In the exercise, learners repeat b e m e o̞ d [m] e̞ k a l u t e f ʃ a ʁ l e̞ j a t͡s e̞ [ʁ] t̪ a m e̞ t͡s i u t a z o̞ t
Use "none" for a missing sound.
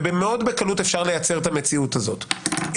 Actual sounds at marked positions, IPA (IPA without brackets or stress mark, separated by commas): b, ʁ